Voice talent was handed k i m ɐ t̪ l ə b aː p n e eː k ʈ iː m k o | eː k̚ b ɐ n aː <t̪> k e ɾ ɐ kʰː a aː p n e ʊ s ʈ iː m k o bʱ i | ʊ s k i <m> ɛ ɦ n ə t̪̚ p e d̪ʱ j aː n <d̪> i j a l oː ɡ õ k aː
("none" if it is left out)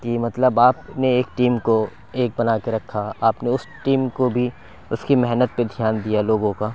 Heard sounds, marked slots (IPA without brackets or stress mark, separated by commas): none, m, d̪